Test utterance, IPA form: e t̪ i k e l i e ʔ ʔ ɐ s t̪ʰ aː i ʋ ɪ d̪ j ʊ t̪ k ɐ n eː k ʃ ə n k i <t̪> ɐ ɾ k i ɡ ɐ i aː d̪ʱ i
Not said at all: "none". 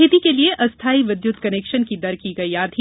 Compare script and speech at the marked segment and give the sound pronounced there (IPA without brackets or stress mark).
d̪